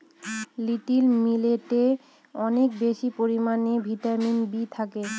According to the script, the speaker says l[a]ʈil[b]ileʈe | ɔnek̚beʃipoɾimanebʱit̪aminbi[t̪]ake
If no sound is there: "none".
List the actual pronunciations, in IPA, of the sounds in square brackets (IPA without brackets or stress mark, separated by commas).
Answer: i, m, t̪ʰ